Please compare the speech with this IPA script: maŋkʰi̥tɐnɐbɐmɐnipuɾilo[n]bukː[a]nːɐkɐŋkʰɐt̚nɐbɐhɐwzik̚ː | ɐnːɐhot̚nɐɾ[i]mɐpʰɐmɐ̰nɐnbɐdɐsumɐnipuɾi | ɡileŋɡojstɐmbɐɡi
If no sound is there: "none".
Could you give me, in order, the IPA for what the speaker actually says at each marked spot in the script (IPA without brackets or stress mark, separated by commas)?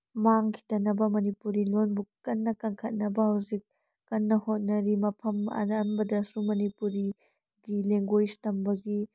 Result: n, ɐ, i